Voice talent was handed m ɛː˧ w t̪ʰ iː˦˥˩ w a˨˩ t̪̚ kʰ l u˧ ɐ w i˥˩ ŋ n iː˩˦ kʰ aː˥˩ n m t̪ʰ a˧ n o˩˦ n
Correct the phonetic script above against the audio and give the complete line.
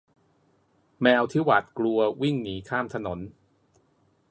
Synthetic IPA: m ɛː˧ w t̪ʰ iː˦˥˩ w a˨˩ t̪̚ k l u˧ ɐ w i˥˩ ŋ n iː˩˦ kʰ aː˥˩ m t̪ʰ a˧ n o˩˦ n